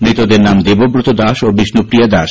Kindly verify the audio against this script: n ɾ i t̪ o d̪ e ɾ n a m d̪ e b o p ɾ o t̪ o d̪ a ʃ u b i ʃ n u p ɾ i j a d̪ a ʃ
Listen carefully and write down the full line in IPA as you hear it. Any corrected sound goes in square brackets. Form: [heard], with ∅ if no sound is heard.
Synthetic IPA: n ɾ i t̪ o d̪ e ɾ n a m d̪ e b o [b] ɾ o t̪ o d̪ a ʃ [o] b i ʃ n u p ɾ i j a d̪ a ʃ